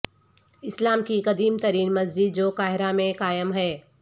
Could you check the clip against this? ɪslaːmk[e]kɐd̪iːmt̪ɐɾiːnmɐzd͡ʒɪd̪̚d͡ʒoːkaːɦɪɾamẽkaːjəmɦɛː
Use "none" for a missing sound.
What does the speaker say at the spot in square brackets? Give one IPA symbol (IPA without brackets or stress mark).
i